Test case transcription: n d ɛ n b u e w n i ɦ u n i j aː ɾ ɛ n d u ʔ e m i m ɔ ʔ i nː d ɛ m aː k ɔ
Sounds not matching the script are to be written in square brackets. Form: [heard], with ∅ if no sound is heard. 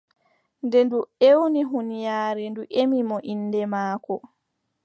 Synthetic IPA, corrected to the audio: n d ɛ n [d] u e w n i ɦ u n i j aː ɾ ɛ n d u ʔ e m i m ɔ ʔ i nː d ɛ m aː k ɔ